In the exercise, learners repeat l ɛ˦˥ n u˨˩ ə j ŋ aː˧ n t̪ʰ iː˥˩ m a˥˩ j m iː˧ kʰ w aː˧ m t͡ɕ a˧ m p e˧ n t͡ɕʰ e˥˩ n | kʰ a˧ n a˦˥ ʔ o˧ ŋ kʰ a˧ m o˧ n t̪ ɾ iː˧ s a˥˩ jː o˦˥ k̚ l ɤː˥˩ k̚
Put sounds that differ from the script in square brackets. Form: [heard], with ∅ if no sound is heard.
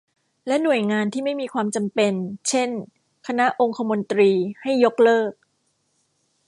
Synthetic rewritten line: l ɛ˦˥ n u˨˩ ə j ŋ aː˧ n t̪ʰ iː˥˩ m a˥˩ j m iː˧ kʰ w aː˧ m t͡ɕ a˧ m p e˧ n t͡ɕʰ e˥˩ n | kʰ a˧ n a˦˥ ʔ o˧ ŋ kʰ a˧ m o˧ n t̪ ɾ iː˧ [h] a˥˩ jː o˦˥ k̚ l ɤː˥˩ k̚